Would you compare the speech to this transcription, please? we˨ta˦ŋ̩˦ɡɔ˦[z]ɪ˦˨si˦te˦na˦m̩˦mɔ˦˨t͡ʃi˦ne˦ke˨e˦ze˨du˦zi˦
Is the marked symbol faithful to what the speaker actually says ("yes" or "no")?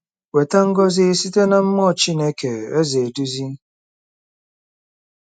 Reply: yes